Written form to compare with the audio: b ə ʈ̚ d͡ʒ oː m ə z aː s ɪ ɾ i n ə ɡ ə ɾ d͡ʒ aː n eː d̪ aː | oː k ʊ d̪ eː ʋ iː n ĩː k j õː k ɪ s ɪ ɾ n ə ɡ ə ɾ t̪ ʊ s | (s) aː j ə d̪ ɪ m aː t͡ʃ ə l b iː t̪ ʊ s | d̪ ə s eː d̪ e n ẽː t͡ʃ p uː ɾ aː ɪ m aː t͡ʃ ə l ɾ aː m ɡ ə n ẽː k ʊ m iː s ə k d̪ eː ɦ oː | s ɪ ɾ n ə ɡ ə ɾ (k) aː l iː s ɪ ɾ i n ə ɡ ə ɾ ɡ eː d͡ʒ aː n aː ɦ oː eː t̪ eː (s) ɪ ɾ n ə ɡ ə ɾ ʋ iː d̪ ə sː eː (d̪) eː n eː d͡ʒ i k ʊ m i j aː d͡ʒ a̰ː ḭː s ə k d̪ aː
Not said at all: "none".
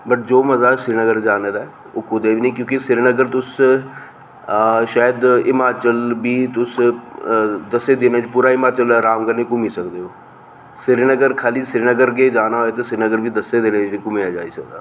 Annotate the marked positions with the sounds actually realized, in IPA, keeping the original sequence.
ʃ, kʰ, s, d̪

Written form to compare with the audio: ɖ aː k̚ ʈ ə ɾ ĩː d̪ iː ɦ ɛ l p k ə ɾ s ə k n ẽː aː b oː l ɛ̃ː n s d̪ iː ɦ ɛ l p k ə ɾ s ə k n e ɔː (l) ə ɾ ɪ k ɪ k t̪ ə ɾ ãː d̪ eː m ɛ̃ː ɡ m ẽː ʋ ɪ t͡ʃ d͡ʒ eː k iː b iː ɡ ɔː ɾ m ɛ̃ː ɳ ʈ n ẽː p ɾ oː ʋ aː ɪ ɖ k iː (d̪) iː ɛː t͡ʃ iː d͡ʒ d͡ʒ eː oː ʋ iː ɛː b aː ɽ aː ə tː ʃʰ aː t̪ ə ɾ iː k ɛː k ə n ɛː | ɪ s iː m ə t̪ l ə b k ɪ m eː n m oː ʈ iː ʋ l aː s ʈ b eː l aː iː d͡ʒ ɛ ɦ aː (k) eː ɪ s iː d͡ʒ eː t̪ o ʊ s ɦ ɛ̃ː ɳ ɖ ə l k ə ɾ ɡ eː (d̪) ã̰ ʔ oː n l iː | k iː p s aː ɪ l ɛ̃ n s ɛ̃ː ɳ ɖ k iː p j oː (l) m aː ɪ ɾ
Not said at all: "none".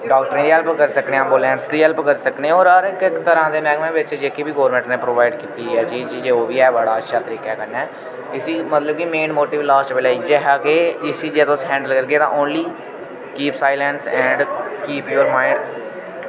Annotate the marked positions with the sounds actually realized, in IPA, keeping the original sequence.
ɾ, t̪, k, t̪, ɾ

